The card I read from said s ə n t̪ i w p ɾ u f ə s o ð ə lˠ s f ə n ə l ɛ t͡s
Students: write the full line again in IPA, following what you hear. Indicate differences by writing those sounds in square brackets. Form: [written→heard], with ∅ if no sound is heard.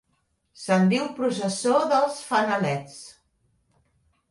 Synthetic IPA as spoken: s ə n [t̪→d̪] i w p ɾ u [f→s] ə s o ð ə lˠ s f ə n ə l ɛ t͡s